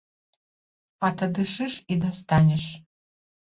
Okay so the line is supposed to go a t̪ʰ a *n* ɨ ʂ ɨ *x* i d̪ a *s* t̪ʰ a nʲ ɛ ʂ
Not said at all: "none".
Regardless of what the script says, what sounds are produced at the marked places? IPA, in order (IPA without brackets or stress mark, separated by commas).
d, ʂ, s